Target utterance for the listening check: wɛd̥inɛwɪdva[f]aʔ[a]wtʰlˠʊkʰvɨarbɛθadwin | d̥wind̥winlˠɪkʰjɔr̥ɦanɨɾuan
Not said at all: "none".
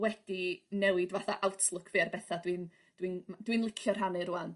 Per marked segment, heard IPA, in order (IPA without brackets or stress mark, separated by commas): θ, a